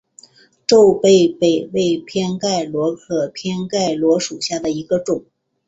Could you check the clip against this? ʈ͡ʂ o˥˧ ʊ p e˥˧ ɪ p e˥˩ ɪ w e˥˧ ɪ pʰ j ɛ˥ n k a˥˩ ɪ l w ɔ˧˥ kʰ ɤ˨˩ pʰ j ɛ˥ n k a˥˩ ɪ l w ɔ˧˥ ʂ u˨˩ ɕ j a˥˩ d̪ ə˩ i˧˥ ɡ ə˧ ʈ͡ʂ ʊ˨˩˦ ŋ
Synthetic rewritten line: ʈ͡ʂ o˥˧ ʊ p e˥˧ ɪ p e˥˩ ɪ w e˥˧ ɪ pʰ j ɛ˥ n k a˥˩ ɪ l w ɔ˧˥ kʰ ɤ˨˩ pʰ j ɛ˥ n k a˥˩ ɪ l w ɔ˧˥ ʂ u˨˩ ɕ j a˥˩ d̪ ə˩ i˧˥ ɡ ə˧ ʈ͡ʂ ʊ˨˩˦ ŋ

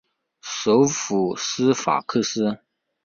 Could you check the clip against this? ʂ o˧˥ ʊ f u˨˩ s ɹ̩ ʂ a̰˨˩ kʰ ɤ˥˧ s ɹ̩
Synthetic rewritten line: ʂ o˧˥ ʊ f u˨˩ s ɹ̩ f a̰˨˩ kʰ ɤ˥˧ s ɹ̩

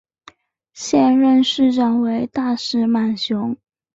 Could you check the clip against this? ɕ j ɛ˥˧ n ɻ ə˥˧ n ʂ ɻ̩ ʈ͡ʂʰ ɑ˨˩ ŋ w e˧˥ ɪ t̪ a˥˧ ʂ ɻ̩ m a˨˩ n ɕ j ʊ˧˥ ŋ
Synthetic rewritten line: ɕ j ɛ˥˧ n ɻ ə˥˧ n ʂ ɻ̩ ʈ͡ʂ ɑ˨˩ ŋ w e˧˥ ɪ t̪ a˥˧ ʂ ɻ̩ m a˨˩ n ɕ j ʊ˧˥ ŋ

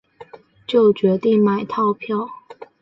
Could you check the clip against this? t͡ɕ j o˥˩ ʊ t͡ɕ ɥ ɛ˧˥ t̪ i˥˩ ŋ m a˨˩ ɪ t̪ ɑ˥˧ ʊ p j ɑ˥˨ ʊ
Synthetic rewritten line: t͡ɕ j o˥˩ ʊ t͡ɕ ɥ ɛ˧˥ t̪ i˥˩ ŋ m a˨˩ ɪ t̪ʰ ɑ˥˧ ʊ pʰ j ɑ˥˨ ʊ

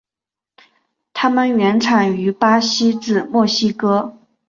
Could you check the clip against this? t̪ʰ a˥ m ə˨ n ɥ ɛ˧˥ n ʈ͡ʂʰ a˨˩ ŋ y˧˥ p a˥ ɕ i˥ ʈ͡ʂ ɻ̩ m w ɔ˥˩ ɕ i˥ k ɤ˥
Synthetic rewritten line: t̪ʰ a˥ m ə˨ n ɥ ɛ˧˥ n ʈ͡ʂʰ a˨˩ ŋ y˧˥ p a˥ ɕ i˥ ʈ͡ʂ ɻ̩ m w ɔ˥˩ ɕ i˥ k ɤ˥

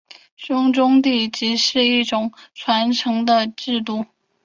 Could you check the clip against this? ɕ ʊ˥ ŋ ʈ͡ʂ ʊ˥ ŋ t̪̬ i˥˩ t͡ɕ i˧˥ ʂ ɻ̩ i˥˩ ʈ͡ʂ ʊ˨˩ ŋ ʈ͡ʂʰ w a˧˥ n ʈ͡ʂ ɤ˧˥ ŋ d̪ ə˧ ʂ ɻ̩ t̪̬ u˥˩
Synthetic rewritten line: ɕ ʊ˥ ŋ ʈ͡ʂ ʊ˥ ŋ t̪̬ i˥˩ t͡ɕ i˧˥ ʂ ɻ̩ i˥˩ ʈ͡ʂ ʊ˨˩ ŋ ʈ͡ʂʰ w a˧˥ n ʈ͡ʂʰ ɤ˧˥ ŋ d̪ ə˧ ʈ͡ʂ ɻ̩ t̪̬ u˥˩

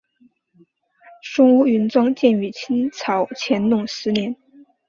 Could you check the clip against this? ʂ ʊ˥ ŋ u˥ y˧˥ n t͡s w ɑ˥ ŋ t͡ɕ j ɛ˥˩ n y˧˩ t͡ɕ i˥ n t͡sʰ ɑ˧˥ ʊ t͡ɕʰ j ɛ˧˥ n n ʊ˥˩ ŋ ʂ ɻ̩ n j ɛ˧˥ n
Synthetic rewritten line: ʂ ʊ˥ ŋ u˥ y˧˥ n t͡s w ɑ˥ ŋ t͡ɕ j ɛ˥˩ n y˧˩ t͡ɕʰ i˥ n t͡sʰ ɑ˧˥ ʊ t͡ɕʰ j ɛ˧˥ n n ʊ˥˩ ŋ ʂ ɻ̩ n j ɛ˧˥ n

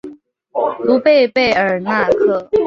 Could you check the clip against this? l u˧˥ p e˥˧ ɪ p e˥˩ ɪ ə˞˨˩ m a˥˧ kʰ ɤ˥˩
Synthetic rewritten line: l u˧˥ p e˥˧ ɪ p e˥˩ ɪ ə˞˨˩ n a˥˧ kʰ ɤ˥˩

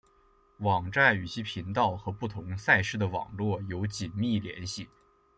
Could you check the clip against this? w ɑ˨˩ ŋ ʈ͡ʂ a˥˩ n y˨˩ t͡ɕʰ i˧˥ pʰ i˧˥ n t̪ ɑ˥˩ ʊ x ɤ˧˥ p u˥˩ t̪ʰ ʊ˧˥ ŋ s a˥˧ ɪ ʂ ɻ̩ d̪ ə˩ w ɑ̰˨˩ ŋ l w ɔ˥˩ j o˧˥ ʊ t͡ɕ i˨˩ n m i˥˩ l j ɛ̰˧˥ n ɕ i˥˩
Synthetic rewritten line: w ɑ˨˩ ŋ ʈ͡ʂ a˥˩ n y˨˩ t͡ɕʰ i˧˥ pʰ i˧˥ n t̪ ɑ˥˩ ʊ x ɤ˧˥ p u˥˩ t̪ʰ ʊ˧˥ ŋ s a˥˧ ɪ ʂ ɻ̩ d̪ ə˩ w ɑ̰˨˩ ŋ l w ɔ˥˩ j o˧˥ ʊ t͡ɕ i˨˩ n m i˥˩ l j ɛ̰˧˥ n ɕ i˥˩

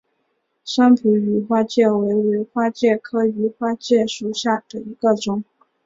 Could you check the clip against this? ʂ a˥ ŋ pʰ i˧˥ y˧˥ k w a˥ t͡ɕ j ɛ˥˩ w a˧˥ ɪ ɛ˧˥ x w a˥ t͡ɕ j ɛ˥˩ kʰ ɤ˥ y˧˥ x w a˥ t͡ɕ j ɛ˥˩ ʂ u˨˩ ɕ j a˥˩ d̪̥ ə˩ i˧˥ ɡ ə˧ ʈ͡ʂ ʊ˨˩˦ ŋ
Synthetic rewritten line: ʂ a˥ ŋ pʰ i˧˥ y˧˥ x w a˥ t͡ɕ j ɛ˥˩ w e˧˥ ɪ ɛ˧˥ x w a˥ t͡ɕ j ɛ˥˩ kʰ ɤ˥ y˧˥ x w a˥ t͡ɕ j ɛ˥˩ ʂ u˨˩ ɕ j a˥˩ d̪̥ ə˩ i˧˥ ɡ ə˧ ʈ͡ʂ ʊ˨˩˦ ŋ

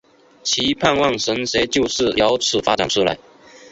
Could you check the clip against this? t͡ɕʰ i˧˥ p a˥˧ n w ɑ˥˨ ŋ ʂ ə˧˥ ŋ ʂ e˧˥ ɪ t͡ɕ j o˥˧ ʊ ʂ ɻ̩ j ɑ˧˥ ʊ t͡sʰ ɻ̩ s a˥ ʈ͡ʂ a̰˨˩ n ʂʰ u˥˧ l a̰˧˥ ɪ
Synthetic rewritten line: t͡ɕʰ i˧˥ pʰ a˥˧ n w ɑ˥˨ ŋ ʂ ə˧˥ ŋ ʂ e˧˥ ɪ t͡ɕ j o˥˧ ʊ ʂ ɻ̩ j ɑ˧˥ ʊ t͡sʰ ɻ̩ f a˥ ʈ͡ʂ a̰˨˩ n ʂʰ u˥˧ l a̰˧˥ ɪ

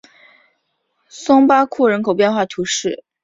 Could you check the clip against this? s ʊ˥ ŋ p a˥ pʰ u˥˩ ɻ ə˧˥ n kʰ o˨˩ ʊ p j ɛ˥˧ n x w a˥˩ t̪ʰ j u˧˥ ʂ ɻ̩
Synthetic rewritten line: s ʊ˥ ŋ p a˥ kʰ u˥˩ ɻ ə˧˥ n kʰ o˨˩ ʊ p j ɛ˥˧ n x w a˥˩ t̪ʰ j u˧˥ ʂ ɻ̩

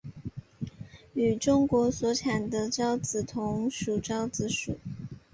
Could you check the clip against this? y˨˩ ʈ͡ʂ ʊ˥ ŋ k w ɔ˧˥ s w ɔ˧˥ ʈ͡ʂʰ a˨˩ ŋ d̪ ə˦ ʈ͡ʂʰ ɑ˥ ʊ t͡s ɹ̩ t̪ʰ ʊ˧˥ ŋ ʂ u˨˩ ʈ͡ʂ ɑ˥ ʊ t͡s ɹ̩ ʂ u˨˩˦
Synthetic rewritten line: y˨˩ ʈ͡ʂ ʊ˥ ŋ k w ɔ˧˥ s w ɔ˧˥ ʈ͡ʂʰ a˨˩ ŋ d̪ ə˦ ʈ͡ʂ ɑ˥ ʊ t͡s ɹ̩ t̪ʰ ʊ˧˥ ŋ ʂ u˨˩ ʈ͡ʂ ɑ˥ ʊ t͡s ɹ̩ ʂ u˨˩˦

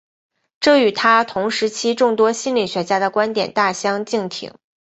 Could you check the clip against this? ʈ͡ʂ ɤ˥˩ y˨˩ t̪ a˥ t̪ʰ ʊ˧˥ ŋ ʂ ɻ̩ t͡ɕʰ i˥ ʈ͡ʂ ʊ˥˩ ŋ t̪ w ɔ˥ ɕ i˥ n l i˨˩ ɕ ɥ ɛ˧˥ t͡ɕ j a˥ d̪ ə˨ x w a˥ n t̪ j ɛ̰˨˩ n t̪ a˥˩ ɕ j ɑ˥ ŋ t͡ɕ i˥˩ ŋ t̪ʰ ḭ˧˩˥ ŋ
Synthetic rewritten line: ʈ͡ʂ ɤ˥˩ y˨˩ t̪ʰ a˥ t̪ʰ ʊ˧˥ ŋ ʂ ɻ̩ t͡ɕʰ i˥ ʈ͡ʂ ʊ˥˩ ŋ t̪ w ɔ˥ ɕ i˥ n l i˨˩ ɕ ɥ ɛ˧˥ t͡ɕ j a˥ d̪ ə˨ k w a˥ n t̪ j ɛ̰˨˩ n t̪ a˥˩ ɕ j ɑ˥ ŋ t͡ɕ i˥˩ ŋ t̪ʰ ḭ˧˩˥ ŋ

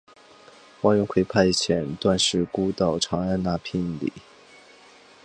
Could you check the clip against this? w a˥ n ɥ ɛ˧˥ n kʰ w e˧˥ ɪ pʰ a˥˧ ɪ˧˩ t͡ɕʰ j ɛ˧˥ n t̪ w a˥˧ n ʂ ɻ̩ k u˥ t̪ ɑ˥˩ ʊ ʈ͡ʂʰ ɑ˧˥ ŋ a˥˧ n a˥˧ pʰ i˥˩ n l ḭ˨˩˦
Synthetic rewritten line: w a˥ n ɥ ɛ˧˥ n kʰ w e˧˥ ɪ pʰ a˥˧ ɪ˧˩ t͡ɕʰ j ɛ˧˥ n t̪ w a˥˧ n ʂ ɻ̩ k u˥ t̪ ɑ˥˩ ʊ ʈ͡ʂʰ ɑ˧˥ ŋ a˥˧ n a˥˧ pʰ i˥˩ n l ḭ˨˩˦

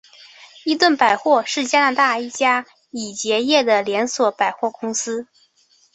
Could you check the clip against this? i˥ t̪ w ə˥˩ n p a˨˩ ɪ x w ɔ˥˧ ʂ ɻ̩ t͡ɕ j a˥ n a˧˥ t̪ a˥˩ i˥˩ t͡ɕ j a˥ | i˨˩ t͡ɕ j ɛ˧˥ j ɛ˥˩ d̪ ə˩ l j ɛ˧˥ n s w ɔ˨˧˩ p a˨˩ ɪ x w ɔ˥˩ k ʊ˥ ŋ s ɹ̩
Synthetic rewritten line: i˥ t̪ w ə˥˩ n p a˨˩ ɪ x w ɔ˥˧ ʂ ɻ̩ t͡ɕ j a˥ n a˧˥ t̪ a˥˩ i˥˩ t͡ɕ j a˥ | i˨˩ t͡ɕ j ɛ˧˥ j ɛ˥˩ d̪ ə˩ l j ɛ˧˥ n s w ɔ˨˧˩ p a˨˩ ɪ x w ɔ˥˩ k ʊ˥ ŋ s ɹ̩

